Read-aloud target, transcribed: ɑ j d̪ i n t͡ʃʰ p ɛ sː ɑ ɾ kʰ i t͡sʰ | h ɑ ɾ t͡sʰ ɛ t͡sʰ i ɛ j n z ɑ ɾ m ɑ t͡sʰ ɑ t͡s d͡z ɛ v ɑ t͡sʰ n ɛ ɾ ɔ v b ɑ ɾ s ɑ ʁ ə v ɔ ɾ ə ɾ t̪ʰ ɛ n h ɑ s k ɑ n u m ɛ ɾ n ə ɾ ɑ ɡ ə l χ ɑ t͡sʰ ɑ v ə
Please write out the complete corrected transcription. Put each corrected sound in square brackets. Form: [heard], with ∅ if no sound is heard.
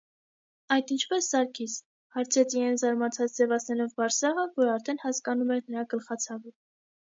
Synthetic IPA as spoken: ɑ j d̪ i n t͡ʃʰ p ɛ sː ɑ ɾ kʰ i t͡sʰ | h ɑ ɾ t͡sʰ ɛ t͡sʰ i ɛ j n z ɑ ɾ m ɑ t͡sʰ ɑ t͡s d͡z ɛ v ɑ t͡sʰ n ɛ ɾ ɔ v b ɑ ɾ s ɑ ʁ ə v ɔ ɾ [ɑ] ɾ t̪ʰ ɛ n h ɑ s k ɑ n u m ɛ ɾ n ə ɾ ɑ ɡ ə l χ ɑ t͡sʰ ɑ v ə